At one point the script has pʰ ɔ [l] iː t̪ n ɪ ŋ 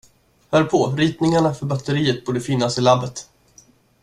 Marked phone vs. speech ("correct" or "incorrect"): incorrect